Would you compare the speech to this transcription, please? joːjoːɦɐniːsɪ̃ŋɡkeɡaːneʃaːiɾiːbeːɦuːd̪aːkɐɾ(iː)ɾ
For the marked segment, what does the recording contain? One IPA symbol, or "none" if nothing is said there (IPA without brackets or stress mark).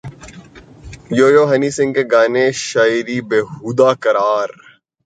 aː